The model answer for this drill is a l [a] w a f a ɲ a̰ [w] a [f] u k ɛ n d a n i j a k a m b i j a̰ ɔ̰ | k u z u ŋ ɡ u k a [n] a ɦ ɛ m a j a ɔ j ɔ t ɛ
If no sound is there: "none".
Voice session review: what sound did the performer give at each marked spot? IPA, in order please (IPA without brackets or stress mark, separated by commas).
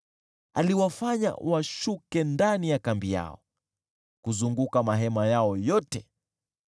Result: i, w, ʃ, m